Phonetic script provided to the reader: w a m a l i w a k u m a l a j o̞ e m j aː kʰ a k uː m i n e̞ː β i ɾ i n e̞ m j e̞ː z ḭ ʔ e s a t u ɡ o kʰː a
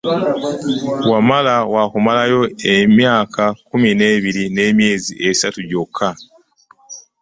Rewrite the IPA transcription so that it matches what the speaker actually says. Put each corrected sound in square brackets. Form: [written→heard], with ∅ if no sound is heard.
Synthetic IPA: w a m a l [i→a] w a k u m a l a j o̞ e m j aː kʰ a k [uː→u] m i n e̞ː β i ɾ i n e̞ m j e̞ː z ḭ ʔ e s a t u [ɡ→ɟ] o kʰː a